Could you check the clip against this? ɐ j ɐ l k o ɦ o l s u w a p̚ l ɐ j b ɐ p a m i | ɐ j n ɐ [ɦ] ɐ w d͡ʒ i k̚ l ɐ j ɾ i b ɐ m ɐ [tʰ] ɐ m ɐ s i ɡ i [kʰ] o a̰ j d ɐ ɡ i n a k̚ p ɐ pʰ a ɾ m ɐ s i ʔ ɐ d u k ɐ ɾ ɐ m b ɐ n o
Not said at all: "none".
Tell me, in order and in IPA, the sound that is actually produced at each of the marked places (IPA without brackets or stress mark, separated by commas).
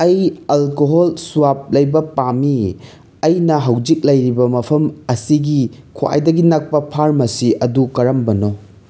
ɦ, pʰ, kʰ